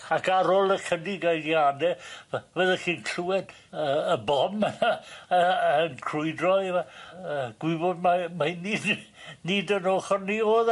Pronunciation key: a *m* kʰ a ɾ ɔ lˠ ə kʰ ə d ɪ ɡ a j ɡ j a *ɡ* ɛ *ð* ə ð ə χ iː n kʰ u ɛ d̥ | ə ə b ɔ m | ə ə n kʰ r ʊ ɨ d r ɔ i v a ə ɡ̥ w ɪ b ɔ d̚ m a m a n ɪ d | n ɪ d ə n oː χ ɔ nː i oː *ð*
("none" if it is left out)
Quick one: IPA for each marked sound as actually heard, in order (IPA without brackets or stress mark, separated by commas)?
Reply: none, d, v, ð